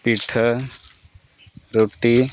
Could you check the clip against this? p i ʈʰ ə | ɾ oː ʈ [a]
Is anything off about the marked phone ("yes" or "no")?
yes